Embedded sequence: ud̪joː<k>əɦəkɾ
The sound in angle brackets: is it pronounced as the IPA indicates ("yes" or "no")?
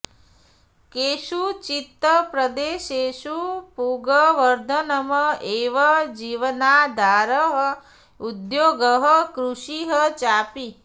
no